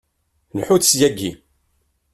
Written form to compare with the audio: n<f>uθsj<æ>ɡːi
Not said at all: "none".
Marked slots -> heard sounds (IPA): ħ, æ

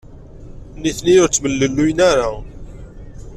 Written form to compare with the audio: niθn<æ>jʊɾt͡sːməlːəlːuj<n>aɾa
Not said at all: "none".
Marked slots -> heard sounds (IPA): i, n

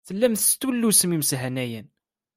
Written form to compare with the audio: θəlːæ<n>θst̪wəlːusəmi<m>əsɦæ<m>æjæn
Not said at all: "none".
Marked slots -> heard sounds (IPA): m, m, n

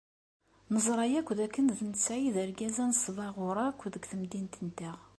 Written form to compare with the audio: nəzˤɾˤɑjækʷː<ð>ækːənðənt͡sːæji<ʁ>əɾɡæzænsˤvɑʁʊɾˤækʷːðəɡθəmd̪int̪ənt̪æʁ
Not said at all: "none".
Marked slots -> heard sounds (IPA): ð, ð

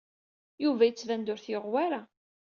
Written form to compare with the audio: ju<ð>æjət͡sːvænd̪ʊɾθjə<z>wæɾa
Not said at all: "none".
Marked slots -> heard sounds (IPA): v, ʁ

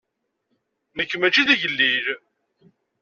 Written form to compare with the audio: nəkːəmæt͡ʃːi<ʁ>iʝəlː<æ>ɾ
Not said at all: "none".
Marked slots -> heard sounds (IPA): ð, i

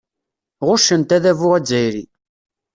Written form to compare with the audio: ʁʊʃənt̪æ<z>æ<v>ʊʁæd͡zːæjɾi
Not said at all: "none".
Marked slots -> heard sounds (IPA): ð, v

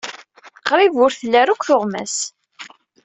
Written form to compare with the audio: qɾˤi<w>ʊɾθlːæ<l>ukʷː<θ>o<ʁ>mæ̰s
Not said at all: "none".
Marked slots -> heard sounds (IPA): v, ɾ, θ, ʁ

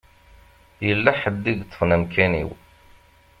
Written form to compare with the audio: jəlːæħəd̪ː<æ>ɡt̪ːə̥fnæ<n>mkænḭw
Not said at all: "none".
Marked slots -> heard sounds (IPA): i, none

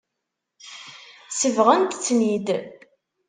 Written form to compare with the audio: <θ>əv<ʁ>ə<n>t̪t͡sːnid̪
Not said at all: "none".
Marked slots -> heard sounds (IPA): s, ʁ, n

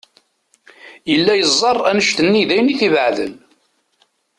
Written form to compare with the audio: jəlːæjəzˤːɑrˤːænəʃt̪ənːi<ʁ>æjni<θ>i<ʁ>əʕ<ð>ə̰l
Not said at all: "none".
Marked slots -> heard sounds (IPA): ð, θ, v, ð

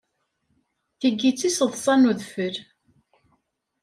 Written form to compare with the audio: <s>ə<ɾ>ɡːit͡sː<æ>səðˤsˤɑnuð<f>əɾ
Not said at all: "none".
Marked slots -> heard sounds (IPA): θ, none, i, f

